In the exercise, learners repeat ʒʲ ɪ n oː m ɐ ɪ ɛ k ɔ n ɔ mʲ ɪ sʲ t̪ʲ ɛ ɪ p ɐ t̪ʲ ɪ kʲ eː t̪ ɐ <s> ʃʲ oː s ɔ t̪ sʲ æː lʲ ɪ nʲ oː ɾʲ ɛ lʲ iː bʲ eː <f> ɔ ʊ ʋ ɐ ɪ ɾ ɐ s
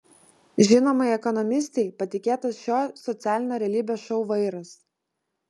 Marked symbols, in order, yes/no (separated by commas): yes, no